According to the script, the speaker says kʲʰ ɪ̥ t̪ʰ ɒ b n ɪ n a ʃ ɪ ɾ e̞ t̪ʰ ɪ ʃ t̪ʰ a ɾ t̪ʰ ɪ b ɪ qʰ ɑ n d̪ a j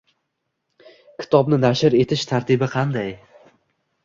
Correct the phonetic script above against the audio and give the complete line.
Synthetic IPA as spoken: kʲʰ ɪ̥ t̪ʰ ɒ b n ɪ n a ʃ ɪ ɾ e̞ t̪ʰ ɪ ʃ t̪ʰ a ɾ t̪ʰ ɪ b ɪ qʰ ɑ n d̪ a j